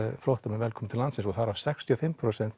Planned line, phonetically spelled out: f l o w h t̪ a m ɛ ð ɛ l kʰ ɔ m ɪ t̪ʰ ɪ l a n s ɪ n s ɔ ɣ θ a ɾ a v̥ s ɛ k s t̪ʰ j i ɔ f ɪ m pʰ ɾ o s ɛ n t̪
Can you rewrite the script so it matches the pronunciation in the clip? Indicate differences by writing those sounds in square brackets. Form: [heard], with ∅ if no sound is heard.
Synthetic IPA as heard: f l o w h t̪ a m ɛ [v] ɛ l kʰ ɔ m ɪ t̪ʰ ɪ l a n s ɪ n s ɔ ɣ θ a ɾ a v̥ s ɛ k s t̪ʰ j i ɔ f ɪ m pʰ ɾ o s ɛ n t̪